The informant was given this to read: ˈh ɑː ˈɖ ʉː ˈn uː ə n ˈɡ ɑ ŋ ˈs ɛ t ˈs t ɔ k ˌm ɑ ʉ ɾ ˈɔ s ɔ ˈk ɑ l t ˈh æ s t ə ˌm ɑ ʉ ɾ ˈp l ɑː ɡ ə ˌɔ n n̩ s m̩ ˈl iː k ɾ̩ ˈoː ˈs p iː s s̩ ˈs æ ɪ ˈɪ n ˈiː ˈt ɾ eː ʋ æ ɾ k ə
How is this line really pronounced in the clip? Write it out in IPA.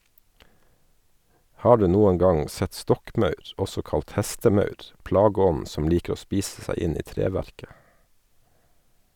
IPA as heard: ˈh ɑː ˈɖ ʉː ˈn uː ə n ˈɡ ɑ ŋ ˈs ɛ t ˈs t ɔ k ˌm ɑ ʉ ɾ ˈɔ s ɔ ˈk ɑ l t ˈh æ s t ə ˌm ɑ ʉ ɾ ˈp l ɑː ɡ ə ˌɔ n n̩ s m̩ ˈl iː k ɾ̩ ˈoː ˈs p iː s s̩ ˈs æ ɪ ˈɪ n ˈiː ˈt ɾ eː ʋ æ ɾ k ə

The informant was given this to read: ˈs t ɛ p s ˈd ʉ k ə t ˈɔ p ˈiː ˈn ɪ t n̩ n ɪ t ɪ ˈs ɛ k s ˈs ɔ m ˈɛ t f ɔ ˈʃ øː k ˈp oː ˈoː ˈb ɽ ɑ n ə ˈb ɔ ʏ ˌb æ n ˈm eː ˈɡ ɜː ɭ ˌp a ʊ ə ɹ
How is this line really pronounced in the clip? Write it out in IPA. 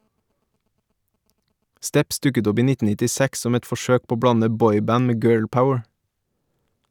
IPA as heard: ˈs t ɛ p s ˈd ʉ k ə t ˈɔ p ˈiː ˈn ɪ t n̩ n ɪ t ɪ ˈs æ k s ˈs ɔ m ˈɛ t f ɔ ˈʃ øː k ˈp oː ˈoː ˈb ɽ ɑ n ə ˈb ɔ ʏ ˌb æ n ˈm eː ˈɡ ɜː ɭ ˌp a ʊ ə ɹ

